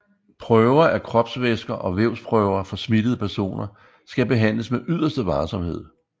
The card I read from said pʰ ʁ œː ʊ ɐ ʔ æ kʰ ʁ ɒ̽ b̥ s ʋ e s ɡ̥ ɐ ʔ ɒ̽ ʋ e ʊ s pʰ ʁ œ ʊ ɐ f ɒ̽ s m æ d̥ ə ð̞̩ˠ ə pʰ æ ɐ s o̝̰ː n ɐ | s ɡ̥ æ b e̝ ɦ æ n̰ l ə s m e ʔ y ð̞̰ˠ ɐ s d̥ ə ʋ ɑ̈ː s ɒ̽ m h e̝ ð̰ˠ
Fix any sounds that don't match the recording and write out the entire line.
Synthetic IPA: pʰ ʁ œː ʊ ɐ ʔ æ kʰ ʁ ɒ̽ b̥ s ʋ e s ɡ̥ ɐ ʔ ɒ̽ ʋ e ʊ s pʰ ʁ œ ʊ ɐ f ɒ̽ s m i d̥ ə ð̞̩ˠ ə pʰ æ ɐ s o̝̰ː n ɐ | s ɡ̥ æ b e̝ ɦ æ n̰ l ə s m e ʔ y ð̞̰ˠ ɐ s d̥ ə ʋ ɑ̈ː s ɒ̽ m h e̝ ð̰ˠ